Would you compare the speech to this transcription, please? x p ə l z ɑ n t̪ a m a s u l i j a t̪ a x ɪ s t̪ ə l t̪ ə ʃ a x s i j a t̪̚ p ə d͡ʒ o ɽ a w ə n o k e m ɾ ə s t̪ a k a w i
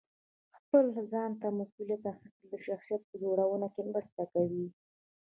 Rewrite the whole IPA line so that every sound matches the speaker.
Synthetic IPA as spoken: x p ə l z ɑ n t̪ a m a s u l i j a t̪ a x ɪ s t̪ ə l d̪ ə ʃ a x s i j a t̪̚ p ə d͡ʒ o ɽ a w ə n o k e m ɾ ə s t̪ a k a w i